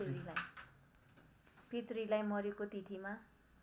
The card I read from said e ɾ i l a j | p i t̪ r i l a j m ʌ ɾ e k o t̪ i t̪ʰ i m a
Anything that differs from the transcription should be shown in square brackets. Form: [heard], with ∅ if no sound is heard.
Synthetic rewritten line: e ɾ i l a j | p i t̪ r i l a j m ʌ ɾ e k o t̪ i t̪ʰ i m a